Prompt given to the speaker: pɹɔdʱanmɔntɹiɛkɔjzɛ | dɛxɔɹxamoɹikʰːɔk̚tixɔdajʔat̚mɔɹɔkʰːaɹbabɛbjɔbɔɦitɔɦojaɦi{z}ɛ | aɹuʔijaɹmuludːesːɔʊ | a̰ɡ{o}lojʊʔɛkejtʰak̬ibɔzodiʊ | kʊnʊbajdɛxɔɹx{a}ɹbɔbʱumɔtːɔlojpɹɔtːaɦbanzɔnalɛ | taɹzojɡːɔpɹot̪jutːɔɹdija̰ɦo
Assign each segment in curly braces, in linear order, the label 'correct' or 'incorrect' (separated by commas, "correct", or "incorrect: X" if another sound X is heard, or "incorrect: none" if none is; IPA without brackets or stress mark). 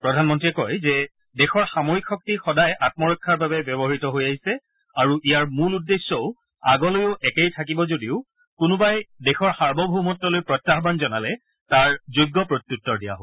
incorrect: s, incorrect: ɔ, correct